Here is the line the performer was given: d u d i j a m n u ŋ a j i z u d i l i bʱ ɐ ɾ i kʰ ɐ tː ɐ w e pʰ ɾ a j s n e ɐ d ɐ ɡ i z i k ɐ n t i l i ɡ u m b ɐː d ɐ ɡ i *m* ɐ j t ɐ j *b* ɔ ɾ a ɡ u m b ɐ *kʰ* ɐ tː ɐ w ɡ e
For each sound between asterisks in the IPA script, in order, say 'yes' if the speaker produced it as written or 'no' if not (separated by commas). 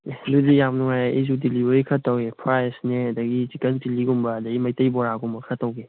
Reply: yes, yes, yes